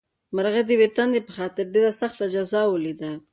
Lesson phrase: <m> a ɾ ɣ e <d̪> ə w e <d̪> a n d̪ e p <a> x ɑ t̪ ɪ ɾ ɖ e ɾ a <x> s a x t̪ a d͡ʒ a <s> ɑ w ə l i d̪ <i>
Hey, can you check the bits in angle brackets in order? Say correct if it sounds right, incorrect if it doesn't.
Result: correct, correct, incorrect: t̪, incorrect: ə, incorrect: none, incorrect: z, incorrect: a

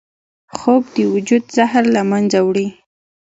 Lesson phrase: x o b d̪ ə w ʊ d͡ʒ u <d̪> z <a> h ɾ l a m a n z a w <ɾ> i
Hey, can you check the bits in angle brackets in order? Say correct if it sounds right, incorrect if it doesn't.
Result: correct, correct, incorrect: ɽ

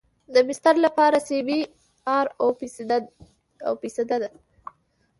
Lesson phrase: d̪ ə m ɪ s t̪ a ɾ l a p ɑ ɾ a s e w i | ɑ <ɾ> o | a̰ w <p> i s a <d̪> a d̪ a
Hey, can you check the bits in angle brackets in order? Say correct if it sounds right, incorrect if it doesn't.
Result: correct, correct, correct

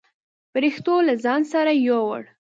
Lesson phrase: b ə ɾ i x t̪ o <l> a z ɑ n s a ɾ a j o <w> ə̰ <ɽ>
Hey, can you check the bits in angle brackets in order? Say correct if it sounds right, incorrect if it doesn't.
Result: correct, correct, correct

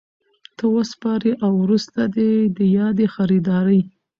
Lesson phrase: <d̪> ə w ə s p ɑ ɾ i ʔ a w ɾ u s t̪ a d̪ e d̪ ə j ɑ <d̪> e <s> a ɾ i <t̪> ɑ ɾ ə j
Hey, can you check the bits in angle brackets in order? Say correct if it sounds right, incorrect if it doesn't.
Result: incorrect: t̪, correct, incorrect: x, incorrect: d̪

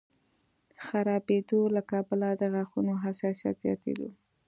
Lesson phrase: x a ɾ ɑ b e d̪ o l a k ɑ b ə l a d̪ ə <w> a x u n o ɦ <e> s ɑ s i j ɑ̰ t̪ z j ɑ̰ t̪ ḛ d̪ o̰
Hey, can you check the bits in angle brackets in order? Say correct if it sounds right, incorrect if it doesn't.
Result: incorrect: ɣ, incorrect: a

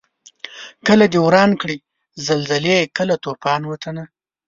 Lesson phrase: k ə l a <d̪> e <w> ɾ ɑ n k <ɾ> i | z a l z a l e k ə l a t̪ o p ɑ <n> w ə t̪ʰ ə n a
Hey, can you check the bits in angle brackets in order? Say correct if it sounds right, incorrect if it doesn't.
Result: correct, correct, incorrect: ɽ, correct

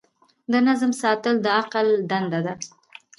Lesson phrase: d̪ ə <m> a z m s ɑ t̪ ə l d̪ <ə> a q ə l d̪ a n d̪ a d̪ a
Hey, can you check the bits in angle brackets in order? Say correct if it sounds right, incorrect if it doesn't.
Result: incorrect: n, correct

